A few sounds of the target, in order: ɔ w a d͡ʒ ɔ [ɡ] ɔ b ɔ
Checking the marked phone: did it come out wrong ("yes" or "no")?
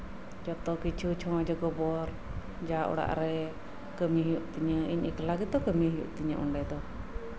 no